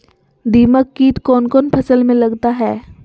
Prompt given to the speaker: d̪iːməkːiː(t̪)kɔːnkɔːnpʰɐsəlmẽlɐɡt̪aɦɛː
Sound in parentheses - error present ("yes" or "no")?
no